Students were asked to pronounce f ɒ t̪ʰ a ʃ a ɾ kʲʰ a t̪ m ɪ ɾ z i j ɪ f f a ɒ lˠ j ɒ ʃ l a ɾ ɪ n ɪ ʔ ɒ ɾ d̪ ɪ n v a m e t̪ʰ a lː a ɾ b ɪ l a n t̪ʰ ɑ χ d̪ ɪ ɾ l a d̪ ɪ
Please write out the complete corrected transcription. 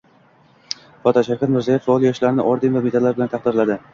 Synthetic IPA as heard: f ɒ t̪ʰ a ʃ a ɾ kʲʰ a t̪ m ɪ ɾ z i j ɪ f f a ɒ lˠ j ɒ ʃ l a ɾ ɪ n ɪ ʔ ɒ ɾ d̪ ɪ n v a m e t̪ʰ a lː a ɾ b ɪ l a n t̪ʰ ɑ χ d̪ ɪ ɾ l a d̪ ɪ